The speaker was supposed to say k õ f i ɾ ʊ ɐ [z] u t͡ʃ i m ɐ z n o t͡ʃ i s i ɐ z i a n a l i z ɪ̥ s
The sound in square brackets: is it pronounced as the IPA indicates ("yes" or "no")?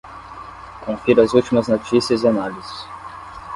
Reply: yes